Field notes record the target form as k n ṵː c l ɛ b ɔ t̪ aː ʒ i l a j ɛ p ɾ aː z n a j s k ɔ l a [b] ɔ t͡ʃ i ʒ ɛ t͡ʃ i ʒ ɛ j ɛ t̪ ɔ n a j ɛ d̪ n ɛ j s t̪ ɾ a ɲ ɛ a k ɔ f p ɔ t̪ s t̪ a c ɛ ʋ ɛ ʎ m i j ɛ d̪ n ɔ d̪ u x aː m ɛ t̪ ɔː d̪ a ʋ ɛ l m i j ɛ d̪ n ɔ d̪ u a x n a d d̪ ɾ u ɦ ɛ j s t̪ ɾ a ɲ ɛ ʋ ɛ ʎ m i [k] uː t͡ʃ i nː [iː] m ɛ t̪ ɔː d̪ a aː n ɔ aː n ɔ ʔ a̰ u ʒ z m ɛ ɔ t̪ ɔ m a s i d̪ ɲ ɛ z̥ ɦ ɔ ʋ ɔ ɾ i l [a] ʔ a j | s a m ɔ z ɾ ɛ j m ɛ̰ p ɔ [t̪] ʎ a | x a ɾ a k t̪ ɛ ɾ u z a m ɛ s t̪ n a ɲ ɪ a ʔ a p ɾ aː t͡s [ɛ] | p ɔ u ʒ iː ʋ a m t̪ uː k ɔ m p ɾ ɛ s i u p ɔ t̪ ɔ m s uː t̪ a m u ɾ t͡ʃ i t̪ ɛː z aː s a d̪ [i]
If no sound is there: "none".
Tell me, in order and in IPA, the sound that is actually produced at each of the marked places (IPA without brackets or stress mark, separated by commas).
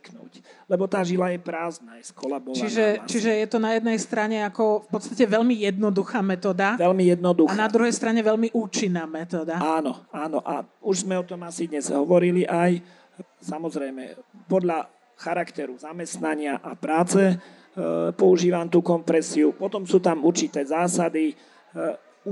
b, ʔ, aː, i, d̪, ɛ, i